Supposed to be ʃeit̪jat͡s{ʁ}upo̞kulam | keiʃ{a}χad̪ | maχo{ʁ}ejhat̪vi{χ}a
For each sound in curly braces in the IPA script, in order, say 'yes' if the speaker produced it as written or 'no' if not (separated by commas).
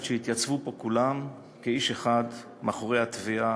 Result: no, no, yes, no